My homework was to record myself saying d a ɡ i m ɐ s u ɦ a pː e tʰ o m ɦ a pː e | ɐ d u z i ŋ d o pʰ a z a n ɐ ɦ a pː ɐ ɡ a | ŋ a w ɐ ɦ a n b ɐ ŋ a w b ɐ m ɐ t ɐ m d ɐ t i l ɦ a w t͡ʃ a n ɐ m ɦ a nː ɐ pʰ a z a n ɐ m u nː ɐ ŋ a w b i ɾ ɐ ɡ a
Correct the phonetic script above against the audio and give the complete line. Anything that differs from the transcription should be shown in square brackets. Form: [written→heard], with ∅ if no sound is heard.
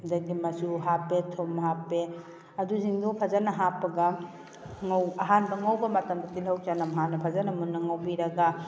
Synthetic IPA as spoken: d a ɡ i m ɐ s u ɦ a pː e tʰ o m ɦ a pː e | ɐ d u z i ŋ d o pʰ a z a n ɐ ɦ a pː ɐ ɡ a | ŋ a w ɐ ɦ a n b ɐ ŋ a w b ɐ m ɐ t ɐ m d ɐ t i l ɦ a w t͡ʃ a n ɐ m ɦ a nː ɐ pʰ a z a n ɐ m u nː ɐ ŋ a w b i ɾ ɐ ɡ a